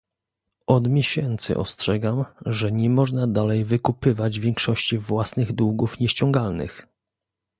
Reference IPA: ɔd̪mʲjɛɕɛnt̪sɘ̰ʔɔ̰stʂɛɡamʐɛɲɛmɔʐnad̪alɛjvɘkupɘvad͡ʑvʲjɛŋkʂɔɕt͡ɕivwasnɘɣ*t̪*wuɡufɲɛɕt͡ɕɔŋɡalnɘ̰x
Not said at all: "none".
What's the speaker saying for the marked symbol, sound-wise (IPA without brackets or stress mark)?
d̪